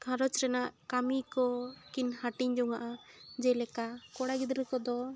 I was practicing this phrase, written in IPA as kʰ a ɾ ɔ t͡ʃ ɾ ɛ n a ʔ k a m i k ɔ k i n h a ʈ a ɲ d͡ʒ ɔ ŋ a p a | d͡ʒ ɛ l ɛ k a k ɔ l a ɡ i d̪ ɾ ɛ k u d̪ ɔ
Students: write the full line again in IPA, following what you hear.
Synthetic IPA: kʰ a ɾ ɔ t͡ʃ ɾ ɛ n a ʔ k a m i k ɔ k i n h a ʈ i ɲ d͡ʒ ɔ ŋ a ʔ a | d͡ʒ ɛ l ɛ k a k ɔ ɽ a ɡ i d̪ ɾ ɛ k ɔ d̪ ɔ

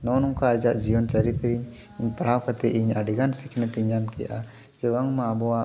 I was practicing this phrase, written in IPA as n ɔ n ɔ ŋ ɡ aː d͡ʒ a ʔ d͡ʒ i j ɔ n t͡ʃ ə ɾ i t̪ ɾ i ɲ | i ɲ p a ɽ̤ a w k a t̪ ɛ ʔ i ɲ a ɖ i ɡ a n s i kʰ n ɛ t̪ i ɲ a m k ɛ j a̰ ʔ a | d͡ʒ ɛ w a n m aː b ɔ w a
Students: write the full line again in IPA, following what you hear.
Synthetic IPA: n ɔ n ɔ ŋ k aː d͡ʒ a ʔ d͡ʒ i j ɔ n t͡ʃ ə ɾ i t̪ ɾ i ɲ | i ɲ p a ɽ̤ a w k a t̪ ɛ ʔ i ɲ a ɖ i ɡ a n s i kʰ n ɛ t̪ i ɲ a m k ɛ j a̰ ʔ a | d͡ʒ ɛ w a ŋ m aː b ɔ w a

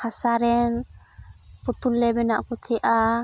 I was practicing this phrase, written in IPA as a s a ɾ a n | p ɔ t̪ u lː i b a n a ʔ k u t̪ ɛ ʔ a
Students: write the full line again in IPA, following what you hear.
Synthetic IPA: a s a ɾ ɛ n | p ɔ t̪ u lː ɛ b ɛ n a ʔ k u t̪ʰ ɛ ʔ a

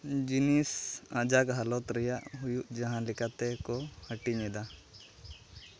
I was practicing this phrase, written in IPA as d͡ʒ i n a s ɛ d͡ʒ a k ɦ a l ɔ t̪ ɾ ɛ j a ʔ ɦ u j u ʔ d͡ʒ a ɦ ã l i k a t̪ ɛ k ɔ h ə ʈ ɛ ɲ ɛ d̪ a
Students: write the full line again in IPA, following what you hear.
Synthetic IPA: d͡ʒ i n i s a d͡ʒ a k ɦ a l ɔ t̪ ɾ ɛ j a ʔ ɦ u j u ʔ d͡ʒ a ɦ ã l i k a t̪ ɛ k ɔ h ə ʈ i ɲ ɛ d̪ a

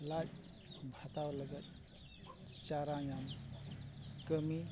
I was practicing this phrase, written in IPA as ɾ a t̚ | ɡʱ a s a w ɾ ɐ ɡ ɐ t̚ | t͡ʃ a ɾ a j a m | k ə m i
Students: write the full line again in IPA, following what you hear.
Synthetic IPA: l a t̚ | bʱ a t a w l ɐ ɡ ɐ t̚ | t͡ʃ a ɾ a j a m | k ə m i

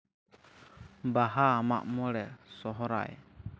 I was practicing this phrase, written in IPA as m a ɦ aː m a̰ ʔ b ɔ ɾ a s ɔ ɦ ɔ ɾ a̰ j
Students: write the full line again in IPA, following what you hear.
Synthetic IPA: b a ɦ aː m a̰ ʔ m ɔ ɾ ɛ s ɔ ɦ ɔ ɾ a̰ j

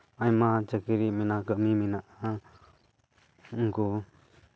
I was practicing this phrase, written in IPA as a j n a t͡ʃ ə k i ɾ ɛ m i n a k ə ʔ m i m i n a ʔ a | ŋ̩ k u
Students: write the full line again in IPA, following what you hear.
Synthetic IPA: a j m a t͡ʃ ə k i ɾ i m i n a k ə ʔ m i m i n a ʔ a | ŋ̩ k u

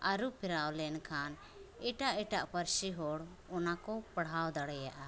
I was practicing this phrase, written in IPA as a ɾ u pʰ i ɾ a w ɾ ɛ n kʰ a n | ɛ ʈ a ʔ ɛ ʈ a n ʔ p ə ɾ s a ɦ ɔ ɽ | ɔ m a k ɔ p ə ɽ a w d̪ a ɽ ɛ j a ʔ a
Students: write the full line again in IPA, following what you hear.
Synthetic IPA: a ɾ u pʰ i ɾ a w l ɛ n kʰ a n | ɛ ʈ a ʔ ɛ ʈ a ʔ p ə ɾ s i ɦ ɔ ɽ | ɔ n a k ɔ p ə ɽ a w d̪ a ɽ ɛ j a ʔ a

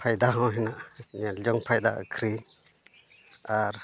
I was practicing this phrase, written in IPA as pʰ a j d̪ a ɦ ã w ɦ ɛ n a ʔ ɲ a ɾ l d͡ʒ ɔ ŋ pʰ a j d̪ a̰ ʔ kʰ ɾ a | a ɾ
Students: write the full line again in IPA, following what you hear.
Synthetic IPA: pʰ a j d̪ a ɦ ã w ɦ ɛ n a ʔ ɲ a l d͡ʒ ɔ ŋ pʰ a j d̪ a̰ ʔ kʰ ɾ i | a ɾ

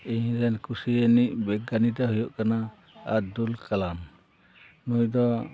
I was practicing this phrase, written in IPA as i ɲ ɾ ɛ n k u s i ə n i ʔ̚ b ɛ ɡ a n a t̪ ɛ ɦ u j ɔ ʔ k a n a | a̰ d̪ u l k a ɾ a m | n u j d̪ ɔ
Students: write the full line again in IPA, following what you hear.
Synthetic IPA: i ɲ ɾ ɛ n k u s i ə n i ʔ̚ b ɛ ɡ a n i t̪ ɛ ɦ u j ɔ ʔ k a n a | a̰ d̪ u l k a l a m | n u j d̪ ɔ

